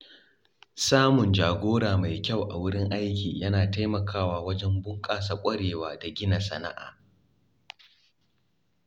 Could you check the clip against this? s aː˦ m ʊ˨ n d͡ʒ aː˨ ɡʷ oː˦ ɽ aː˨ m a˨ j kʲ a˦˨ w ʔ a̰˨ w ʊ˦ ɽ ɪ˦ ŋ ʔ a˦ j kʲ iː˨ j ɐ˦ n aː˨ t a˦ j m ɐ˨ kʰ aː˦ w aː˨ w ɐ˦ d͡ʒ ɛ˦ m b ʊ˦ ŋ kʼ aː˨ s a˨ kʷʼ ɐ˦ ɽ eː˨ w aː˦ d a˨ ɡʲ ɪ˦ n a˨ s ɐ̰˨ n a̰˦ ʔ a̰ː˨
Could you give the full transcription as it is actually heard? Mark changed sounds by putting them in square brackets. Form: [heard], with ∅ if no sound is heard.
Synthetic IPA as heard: s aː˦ m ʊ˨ n d͡ʒ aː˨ ɡʷ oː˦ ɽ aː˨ m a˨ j kʲ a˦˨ w ʔ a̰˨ w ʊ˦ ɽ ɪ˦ ŋ ʔ a˦ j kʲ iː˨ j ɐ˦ n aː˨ t a˦ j m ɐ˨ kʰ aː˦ w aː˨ w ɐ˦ d͡ʒ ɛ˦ m b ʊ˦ ŋ kʼ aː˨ s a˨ kʷʼ ɐ˦ ɽ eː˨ w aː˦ d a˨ ɡʲ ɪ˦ n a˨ s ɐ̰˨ n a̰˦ ʔ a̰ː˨